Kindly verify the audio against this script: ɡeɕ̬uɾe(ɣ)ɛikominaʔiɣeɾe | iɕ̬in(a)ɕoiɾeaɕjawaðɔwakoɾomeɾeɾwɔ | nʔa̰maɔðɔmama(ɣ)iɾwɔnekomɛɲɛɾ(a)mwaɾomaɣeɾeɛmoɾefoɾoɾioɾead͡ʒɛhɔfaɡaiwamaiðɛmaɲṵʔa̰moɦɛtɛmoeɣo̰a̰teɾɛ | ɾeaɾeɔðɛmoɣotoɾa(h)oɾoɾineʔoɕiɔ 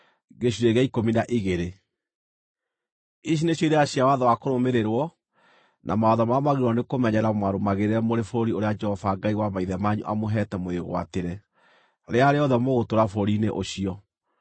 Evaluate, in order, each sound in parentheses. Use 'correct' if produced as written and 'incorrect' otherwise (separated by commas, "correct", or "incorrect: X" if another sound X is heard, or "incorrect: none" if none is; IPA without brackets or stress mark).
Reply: correct, incorrect: e, correct, correct, incorrect: f